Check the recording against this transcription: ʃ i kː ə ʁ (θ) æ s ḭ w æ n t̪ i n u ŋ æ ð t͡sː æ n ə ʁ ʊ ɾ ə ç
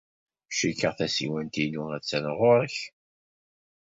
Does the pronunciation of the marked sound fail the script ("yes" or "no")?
no